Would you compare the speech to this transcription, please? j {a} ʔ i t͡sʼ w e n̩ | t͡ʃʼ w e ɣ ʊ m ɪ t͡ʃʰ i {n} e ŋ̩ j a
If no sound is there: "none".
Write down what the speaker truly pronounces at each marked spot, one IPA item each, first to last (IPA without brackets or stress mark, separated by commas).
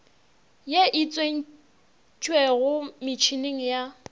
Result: e, n